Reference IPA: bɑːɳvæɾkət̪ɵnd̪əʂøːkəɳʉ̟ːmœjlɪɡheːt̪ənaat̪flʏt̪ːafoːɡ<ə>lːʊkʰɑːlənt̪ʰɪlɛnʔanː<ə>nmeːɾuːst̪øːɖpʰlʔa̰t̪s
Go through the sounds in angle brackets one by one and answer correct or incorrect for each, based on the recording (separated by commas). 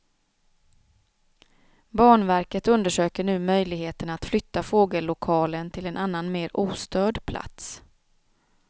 correct, incorrect